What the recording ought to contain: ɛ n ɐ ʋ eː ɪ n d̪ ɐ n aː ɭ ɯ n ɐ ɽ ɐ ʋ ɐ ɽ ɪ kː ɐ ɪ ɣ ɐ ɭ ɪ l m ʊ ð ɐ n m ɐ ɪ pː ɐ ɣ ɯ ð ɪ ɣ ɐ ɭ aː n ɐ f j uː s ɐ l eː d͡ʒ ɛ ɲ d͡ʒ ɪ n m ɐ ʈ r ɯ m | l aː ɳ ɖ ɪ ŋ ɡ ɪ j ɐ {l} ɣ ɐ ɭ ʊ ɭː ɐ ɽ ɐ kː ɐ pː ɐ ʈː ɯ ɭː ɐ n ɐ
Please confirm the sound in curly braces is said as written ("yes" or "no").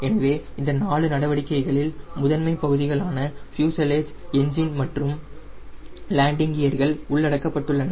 no